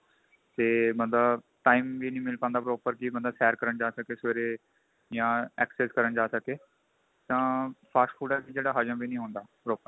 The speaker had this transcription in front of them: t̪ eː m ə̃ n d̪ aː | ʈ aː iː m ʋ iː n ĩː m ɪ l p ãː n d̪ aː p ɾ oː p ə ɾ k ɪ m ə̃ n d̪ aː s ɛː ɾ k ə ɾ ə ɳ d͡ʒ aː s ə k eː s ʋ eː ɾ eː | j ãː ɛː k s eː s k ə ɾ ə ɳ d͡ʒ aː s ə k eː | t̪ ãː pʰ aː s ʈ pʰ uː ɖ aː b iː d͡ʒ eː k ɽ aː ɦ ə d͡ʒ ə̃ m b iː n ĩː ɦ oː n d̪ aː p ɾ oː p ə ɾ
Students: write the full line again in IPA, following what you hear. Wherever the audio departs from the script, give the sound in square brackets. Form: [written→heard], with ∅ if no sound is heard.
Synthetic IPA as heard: t̪ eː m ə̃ n d̪ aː | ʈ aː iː m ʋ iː n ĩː m ɪ l p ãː n d̪ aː p ɾ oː p ə ɾ k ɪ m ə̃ n d̪ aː s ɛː ɾ k ə ɾ ə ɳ d͡ʒ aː s ə k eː s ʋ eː ɾ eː | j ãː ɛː k s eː s k ə ɾ ə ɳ d͡ʒ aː s ə k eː | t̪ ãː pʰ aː s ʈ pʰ uː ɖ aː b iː d͡ʒ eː [k→∅] ɽ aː ɦ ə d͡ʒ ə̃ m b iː n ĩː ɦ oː n d̪ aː p ɾ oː p ə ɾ